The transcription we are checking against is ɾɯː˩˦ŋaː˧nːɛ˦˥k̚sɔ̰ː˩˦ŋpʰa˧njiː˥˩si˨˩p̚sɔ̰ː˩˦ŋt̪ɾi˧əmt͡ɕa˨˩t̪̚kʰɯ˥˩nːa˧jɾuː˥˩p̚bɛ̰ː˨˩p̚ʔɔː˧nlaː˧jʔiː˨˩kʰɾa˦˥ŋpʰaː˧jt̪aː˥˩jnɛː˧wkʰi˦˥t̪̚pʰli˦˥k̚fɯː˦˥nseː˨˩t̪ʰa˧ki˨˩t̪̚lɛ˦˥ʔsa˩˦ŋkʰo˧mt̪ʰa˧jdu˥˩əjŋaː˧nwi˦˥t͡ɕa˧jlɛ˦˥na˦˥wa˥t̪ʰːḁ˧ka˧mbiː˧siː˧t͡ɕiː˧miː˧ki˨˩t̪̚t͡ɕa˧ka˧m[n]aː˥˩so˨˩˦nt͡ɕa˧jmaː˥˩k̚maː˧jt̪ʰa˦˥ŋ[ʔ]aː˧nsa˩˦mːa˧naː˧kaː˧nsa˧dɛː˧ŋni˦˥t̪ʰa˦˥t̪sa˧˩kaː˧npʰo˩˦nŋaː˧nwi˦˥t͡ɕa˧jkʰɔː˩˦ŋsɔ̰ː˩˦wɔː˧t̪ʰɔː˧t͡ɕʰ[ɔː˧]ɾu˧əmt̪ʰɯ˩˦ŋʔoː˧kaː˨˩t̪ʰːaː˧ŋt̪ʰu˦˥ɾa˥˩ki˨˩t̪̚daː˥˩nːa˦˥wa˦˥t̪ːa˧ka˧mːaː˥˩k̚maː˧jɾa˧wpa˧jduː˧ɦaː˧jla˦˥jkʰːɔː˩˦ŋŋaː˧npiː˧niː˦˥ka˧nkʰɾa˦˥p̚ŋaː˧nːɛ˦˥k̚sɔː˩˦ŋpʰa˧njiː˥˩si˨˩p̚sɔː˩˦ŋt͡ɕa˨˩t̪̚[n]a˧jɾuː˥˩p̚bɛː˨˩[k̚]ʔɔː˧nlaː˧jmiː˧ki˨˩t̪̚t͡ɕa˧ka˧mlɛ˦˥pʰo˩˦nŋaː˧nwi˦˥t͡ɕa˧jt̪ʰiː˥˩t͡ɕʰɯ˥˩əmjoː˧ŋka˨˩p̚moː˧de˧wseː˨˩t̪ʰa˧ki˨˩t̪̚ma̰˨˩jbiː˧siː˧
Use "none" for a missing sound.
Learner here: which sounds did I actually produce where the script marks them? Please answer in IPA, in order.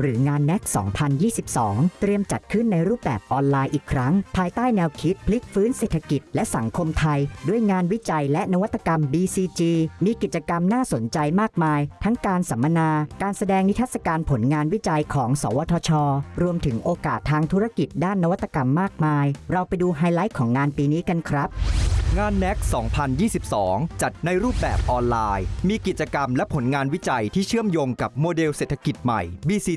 n, k, ɔː˧, n, p̚

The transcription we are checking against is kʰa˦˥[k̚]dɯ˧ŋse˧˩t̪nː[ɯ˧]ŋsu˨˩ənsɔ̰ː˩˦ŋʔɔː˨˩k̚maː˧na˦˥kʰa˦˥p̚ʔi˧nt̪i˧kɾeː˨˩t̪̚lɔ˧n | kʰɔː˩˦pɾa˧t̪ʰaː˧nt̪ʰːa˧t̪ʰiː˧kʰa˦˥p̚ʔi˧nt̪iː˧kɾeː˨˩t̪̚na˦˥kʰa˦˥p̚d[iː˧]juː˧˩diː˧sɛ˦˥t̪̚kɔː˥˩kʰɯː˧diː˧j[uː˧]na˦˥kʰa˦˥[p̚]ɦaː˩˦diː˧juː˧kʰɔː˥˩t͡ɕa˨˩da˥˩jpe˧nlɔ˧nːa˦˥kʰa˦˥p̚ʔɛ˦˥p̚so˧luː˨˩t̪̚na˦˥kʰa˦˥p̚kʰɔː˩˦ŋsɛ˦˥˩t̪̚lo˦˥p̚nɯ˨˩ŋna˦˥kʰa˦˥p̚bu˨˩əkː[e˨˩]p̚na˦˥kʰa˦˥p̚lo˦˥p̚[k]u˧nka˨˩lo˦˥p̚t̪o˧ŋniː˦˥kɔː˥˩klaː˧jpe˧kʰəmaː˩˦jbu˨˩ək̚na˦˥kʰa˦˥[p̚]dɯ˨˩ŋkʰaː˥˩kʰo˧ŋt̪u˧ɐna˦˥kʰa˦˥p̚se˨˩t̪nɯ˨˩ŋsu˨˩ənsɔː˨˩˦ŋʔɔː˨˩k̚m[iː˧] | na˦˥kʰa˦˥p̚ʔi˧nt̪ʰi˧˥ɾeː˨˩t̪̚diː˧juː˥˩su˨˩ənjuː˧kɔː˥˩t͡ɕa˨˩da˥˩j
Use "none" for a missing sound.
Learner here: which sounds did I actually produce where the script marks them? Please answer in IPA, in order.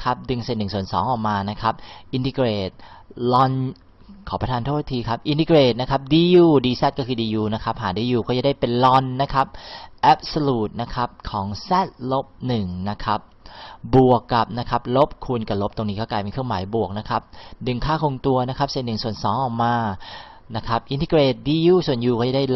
p̚, ɯ˨˩, iː˧, uː˧, p̚, a˨˩, kʰ, p̚, aː˧

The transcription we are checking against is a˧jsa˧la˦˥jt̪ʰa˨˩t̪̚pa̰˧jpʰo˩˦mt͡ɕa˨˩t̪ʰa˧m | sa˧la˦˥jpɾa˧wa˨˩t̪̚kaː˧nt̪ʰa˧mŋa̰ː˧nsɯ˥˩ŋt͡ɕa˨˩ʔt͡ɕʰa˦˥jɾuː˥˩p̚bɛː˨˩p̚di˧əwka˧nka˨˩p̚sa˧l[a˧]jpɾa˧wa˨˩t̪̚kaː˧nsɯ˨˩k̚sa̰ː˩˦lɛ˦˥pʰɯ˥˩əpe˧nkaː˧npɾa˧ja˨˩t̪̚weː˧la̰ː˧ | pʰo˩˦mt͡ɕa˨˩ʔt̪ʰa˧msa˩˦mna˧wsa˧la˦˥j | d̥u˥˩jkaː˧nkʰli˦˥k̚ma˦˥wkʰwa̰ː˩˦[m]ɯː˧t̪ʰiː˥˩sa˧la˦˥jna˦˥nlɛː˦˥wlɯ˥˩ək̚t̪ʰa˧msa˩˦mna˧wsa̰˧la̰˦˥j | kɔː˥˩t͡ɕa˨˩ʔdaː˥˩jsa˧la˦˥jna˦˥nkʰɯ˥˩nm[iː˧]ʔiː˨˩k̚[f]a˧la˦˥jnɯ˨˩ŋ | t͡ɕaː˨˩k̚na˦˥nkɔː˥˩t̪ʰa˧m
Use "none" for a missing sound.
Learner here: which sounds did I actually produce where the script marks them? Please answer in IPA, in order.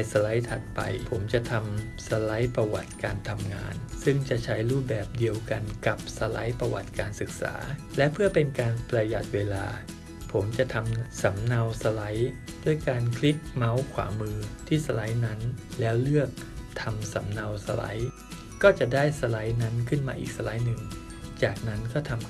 a˦˥, m, aː˧, s

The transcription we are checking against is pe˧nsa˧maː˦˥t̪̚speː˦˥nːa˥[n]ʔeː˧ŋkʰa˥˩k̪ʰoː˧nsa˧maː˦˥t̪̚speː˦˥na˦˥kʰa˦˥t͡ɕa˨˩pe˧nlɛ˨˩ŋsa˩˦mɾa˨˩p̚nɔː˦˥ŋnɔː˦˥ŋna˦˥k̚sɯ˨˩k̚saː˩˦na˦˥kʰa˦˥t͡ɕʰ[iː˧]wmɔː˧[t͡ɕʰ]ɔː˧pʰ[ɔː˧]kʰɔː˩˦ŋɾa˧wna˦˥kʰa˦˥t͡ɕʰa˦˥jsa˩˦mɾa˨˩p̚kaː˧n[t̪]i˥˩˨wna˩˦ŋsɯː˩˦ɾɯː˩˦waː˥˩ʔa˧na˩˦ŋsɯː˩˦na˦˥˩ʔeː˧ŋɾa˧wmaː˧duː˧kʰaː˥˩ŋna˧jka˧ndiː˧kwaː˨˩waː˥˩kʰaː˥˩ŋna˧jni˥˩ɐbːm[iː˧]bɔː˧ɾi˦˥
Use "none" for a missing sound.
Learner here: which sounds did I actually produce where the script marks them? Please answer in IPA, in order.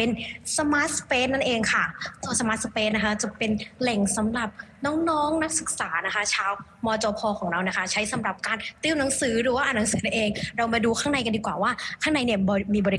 n, aː˧, t͡ɕ, ɔː˧, t̪, iː˧

